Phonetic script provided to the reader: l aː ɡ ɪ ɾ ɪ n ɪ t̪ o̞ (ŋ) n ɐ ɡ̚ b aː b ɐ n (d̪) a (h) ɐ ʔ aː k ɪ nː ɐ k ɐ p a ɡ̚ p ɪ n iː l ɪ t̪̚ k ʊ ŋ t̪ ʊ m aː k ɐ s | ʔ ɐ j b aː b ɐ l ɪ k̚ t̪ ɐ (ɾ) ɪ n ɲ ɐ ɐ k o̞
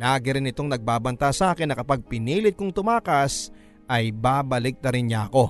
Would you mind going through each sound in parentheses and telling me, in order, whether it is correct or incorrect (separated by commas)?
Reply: correct, incorrect, incorrect, correct